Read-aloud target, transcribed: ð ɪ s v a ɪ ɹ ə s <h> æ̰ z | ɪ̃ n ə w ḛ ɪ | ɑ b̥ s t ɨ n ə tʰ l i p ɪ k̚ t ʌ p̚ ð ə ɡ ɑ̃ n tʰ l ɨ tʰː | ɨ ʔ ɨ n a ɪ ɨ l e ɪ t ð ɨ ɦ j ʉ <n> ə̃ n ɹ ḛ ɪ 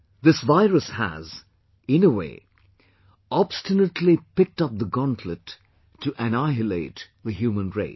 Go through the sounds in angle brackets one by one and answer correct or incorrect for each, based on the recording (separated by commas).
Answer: correct, incorrect